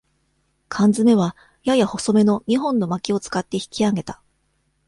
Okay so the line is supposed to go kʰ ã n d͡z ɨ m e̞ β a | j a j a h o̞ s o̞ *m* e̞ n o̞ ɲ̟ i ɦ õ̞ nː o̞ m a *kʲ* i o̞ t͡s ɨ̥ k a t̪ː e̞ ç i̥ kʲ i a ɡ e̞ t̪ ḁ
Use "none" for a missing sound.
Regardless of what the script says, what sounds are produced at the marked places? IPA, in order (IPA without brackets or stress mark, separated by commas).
m, kʲ